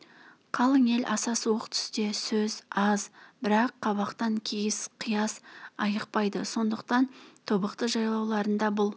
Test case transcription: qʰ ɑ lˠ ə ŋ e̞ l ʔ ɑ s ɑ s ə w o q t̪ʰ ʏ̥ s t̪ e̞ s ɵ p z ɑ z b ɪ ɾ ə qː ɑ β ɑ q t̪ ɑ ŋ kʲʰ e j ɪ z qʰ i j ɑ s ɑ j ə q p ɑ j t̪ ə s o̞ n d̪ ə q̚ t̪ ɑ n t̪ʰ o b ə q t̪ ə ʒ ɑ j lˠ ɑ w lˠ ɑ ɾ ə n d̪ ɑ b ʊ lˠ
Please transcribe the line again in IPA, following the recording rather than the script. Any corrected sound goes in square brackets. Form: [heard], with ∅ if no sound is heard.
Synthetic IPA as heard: qʰ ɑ lˠ ə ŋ e̞ l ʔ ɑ s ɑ s ə w o q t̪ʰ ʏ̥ s t̪ e̞ s ɵ [∅] z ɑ z b ɪ ɾ [ɑ] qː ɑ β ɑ q t̪ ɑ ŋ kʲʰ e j ɪ [s] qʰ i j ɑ s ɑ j ə q p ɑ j [d̪] ə s o̞ n d̪ ə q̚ t̪ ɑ n t̪ʰ o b ə q t̪ ə ʒ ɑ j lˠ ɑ w lˠ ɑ ɾ ə n d̪ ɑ b ʊ lˠ

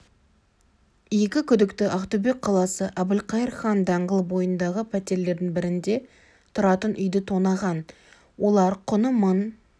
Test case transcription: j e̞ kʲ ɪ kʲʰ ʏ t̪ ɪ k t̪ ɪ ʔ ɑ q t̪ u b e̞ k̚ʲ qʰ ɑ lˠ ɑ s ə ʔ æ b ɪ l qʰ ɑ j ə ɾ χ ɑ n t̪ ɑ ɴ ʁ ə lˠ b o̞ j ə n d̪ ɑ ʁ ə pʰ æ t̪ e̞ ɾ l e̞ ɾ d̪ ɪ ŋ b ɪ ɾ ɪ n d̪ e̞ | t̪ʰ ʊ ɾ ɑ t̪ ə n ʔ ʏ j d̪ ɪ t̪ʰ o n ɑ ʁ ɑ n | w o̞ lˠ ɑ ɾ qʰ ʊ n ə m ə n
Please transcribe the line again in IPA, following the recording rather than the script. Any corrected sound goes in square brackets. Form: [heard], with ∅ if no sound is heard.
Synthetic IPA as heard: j e̞ kʲ ɪ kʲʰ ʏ [d̪] ɪ k t̪ ɪ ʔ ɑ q t̪ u b e̞ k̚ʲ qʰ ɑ lˠ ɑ s ə ʔ æ b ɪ l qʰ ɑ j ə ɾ χ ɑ n [d̪] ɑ ɴ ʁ ə lˠ b o̞ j ə n d̪ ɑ ʁ ə pʰ æ t̪ e̞ ɾ l e̞ ɾ d̪ ɪ ŋ b ɪ ɾ ɪ n d̪ e̞ | t̪ʰ ʊ ɾ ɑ t̪ ə n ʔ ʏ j d̪ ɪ t̪ʰ o n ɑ ʁ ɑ n | w o̞ lˠ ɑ ɾ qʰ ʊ n ə m ə n

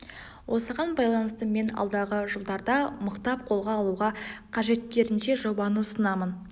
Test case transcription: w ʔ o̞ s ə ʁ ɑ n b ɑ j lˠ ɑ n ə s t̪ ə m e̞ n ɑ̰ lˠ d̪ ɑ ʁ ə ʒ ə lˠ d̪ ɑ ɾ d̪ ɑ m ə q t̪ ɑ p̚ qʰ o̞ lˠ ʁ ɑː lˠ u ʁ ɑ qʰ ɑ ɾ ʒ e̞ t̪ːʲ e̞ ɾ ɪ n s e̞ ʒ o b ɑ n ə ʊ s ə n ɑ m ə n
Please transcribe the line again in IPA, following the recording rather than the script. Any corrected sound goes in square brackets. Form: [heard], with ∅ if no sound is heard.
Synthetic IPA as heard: w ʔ o̞ s ə ʁ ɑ n b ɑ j lˠ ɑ n ə s t̪ ə m e̞ n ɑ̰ lˠ d̪ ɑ ʁ ə ʒ ə lˠ d̪ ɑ ɾ d̪ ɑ m ə q t̪ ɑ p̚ qʰ o̞ lˠ ʁ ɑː lˠ u ʁ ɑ qʰ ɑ [∅] ʒ e̞ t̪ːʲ e̞ ɾ ɪ n [ʃ] e̞ ʒ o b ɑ n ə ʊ s ə n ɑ m ə n

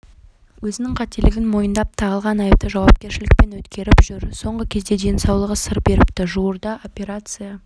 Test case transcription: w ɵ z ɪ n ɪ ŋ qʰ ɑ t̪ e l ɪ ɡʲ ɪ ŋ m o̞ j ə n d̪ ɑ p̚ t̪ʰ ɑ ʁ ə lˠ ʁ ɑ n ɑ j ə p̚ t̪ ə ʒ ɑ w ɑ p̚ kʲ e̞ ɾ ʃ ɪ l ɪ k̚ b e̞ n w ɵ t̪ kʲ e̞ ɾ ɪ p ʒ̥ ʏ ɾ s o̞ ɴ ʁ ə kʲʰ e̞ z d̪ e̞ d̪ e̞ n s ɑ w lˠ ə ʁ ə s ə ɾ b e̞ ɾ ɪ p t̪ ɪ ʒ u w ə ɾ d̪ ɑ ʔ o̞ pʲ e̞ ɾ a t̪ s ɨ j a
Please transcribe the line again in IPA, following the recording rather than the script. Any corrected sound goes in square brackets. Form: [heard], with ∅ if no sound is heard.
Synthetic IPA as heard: w ɵ z ɪ n ɪ ŋ qʰ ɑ t̪ e l ɪ ɡʲ ɪ [n] m o̞ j ə n d̪ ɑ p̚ t̪ʰ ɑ ʁ ə lˠ ʁ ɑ n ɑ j ə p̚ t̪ ə ʒ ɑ w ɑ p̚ kʲ e̞ ɾ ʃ ɪ l ɪ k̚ [p] e̞ n w ɵ t̪ kʲ e̞ ɾ ɪ p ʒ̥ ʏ ɾ s o̞ ɴ ʁ ə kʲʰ e̞ z d̪ e̞ d̪ e̞ n s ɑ w lˠ ə ʁ ə s ə ɾ b e̞ ɾ ɪ p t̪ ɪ ʒ u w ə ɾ d̪ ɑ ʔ o̞ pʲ e̞ ɾ a t̪ s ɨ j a

